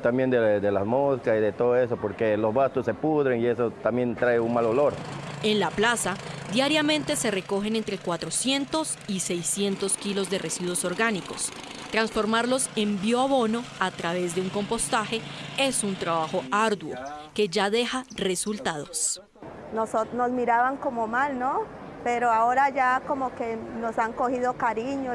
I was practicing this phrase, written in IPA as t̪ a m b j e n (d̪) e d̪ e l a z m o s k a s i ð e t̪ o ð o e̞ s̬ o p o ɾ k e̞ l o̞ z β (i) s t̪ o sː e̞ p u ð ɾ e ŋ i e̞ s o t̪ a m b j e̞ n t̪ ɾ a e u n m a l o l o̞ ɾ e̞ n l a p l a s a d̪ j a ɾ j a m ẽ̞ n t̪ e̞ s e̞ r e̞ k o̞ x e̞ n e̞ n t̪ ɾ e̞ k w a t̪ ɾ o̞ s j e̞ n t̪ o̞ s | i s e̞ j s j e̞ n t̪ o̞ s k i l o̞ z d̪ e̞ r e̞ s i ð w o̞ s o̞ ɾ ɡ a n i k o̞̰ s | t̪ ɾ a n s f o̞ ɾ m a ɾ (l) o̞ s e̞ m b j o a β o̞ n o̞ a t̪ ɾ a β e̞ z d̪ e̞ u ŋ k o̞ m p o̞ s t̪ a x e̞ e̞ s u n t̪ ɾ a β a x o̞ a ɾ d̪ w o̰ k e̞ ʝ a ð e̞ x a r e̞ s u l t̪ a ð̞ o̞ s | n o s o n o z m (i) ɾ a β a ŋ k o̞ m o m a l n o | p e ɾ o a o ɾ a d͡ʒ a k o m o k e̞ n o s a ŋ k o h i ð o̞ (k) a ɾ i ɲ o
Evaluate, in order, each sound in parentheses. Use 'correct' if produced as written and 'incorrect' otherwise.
correct, incorrect: a, correct, correct, correct

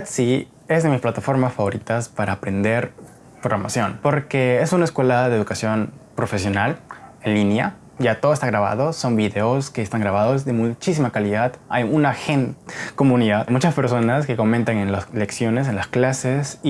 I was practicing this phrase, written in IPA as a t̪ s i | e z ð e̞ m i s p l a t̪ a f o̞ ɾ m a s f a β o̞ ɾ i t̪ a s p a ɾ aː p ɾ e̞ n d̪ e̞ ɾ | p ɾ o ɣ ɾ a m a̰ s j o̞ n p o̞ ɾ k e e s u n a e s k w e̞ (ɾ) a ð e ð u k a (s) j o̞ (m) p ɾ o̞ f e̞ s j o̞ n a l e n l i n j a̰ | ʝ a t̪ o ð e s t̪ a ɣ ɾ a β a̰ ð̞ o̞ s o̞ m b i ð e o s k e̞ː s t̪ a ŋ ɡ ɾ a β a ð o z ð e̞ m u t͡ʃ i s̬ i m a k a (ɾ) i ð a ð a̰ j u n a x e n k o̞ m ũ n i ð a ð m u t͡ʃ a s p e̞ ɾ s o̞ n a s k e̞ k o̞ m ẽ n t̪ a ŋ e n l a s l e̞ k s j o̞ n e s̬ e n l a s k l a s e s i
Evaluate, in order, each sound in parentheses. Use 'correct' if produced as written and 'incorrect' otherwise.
incorrect: l, correct, incorrect: n, incorrect: l

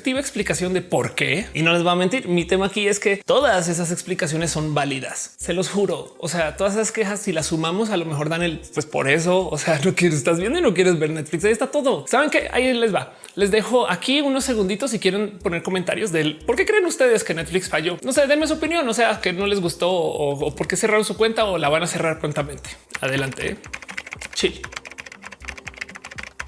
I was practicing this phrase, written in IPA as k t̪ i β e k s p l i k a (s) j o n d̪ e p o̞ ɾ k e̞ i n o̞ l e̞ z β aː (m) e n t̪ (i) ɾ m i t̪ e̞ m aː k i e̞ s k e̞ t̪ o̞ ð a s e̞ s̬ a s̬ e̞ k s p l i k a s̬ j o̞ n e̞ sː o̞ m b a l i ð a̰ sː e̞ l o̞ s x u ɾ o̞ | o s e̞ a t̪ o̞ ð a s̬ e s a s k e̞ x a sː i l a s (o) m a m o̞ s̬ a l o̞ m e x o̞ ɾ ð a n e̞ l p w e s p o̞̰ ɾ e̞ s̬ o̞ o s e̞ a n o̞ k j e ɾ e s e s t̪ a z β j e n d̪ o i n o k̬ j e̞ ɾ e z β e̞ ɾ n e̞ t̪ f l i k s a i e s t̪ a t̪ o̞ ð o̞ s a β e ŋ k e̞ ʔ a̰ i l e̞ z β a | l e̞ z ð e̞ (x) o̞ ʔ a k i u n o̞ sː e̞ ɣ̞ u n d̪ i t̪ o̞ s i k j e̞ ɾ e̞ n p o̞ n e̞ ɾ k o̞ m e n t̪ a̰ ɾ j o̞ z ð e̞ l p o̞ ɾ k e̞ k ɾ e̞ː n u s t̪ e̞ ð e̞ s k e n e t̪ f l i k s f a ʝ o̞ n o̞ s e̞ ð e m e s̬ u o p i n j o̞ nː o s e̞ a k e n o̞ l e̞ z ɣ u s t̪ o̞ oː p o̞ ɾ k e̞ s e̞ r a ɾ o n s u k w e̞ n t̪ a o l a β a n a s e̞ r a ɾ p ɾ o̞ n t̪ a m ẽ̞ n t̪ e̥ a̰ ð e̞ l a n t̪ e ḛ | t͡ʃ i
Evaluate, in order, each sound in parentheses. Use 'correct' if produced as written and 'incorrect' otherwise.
correct, correct, correct, incorrect: u, correct

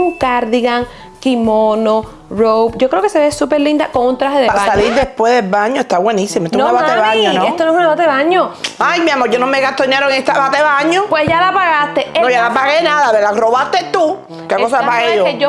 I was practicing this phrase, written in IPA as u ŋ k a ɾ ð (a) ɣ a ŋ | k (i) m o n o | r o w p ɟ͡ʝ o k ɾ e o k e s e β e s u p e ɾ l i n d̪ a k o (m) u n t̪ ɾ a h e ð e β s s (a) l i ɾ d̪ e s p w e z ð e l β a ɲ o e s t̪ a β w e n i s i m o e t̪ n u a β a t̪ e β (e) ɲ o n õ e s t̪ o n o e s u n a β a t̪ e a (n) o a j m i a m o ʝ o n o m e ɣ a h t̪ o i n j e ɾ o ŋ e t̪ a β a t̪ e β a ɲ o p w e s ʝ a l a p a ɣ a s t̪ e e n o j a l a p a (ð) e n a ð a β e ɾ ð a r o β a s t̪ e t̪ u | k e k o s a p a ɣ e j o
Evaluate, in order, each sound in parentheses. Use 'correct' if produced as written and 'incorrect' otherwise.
incorrect: i, correct, incorrect: ŋ, correct, incorrect: a, incorrect: ɲ, incorrect: ɣ

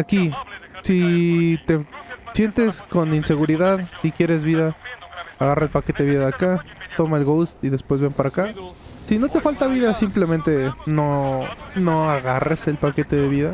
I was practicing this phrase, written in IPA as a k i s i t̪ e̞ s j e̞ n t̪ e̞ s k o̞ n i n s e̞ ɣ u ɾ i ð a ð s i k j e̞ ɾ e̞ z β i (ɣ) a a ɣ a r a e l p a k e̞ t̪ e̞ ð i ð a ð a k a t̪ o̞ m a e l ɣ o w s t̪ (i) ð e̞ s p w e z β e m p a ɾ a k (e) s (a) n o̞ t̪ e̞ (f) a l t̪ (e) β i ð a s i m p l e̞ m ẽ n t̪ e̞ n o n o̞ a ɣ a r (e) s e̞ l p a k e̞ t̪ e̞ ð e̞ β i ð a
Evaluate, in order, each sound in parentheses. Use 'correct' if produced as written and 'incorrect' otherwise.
incorrect: ð, correct, incorrect: a, incorrect: i, correct, incorrect: a, correct

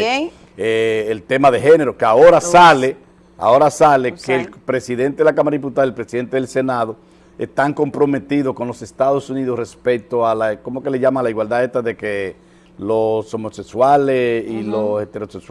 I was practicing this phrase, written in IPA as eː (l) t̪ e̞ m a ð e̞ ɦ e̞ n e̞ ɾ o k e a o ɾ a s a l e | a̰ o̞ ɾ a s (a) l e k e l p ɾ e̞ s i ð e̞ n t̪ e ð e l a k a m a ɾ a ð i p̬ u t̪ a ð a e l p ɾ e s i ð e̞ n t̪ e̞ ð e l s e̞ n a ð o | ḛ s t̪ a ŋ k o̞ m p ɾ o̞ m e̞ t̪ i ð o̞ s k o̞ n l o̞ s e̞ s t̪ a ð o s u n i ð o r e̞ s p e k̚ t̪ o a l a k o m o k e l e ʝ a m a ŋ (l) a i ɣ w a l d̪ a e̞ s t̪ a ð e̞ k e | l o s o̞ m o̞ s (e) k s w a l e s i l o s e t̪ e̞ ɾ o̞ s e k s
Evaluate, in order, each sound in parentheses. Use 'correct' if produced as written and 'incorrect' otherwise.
correct, correct, correct, correct

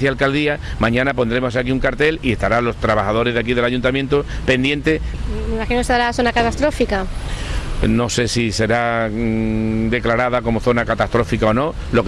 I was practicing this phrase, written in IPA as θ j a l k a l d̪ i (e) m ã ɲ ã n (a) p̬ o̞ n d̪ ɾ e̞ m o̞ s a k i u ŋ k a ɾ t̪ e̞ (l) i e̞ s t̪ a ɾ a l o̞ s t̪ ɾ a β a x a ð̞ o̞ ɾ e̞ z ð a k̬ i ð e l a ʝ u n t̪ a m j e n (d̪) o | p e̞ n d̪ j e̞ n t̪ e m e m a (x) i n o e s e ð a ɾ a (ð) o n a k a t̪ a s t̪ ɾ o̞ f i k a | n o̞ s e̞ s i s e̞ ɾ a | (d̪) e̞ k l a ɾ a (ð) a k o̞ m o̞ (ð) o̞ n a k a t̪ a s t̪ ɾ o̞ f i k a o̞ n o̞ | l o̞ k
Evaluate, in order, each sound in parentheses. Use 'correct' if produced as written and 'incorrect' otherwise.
incorrect: a, correct, correct, incorrect: t̪, correct, incorrect: θ, correct, correct, incorrect: θ

